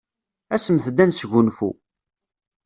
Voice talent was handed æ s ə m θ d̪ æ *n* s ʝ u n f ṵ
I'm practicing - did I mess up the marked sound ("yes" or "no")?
no